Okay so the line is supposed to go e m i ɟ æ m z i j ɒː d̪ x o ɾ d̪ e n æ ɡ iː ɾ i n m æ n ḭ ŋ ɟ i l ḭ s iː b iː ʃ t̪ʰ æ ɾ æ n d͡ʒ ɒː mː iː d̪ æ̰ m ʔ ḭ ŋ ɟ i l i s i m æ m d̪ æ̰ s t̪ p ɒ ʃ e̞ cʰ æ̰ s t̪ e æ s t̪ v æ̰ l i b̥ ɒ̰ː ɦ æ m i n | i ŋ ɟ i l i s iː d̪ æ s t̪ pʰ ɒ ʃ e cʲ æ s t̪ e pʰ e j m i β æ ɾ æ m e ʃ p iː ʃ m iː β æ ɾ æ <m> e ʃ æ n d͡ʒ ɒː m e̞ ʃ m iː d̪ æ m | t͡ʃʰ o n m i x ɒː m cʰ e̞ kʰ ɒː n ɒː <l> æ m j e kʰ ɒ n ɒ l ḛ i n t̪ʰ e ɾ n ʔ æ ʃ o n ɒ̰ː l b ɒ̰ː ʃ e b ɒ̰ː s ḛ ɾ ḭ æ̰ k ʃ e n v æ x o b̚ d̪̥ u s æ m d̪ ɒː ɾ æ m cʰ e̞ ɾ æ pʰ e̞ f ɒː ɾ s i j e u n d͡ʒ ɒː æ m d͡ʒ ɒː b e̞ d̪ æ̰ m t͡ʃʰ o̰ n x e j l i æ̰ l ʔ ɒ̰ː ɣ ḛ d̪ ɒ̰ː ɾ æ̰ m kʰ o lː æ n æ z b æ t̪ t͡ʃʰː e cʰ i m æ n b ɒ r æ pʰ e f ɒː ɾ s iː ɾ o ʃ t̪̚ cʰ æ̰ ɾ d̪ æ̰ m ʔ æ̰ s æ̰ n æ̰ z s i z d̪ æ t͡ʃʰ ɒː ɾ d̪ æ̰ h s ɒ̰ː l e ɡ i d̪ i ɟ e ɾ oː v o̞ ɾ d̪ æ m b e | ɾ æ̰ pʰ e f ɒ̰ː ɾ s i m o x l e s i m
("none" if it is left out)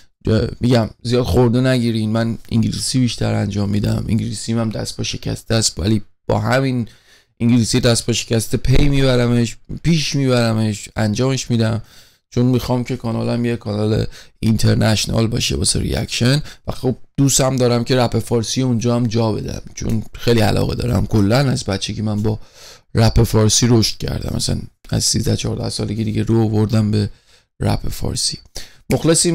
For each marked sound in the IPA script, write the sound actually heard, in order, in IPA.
m, l

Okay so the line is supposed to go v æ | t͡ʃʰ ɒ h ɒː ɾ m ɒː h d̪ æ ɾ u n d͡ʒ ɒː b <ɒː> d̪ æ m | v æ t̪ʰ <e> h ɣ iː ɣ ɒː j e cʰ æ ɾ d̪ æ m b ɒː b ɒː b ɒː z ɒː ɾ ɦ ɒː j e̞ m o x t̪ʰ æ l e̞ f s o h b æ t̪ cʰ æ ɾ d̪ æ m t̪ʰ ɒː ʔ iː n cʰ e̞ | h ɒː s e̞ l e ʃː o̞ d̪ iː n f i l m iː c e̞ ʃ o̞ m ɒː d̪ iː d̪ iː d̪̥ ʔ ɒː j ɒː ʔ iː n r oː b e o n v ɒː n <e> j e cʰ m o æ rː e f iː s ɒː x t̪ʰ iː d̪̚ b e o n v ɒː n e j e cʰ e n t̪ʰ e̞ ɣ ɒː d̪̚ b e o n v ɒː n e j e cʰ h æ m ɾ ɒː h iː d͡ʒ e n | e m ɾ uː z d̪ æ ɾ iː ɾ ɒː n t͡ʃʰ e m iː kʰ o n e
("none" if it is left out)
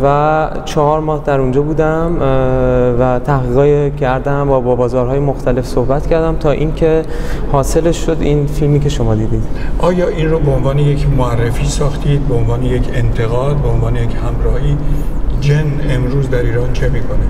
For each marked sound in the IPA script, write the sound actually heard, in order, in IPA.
uː, æ, e

